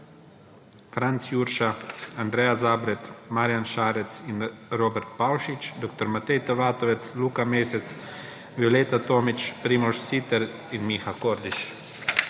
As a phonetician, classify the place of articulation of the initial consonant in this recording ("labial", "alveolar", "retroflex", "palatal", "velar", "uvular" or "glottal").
labial